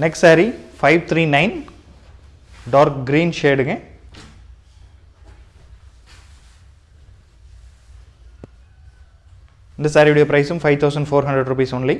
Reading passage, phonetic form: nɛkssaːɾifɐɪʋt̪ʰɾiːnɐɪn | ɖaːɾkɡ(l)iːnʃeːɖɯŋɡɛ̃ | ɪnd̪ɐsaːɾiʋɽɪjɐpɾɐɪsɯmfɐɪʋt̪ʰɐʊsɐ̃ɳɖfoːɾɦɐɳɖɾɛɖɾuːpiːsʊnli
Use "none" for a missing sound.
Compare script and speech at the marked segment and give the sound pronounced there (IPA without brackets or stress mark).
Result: ɾ